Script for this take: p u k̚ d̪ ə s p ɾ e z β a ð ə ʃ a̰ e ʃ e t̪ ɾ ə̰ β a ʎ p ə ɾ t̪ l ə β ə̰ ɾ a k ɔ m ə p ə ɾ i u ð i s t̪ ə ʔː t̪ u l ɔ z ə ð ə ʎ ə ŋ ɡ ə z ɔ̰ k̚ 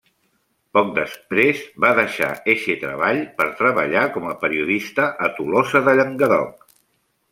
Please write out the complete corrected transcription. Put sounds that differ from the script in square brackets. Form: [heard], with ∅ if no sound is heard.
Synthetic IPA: p [ɔ] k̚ d̪ ə s p ɾ e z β a ð ə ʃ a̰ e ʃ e t̪ ɾ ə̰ β a ʎ p ə ɾ t̪ [ɾ] ə β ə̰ [ʎ] a k ɔ m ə p ə ɾ i u ð i s t̪ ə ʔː t̪ u l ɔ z ə ð ə ʎ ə ŋ ɡ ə [ð] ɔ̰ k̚